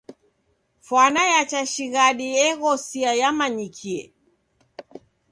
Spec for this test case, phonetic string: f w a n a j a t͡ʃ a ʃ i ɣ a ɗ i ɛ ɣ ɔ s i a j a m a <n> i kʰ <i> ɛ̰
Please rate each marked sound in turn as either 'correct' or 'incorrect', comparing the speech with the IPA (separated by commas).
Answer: incorrect, correct